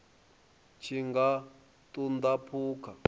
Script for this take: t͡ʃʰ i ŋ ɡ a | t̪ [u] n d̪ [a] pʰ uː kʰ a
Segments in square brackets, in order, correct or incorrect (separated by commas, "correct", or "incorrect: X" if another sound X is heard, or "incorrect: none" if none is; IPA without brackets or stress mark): correct, correct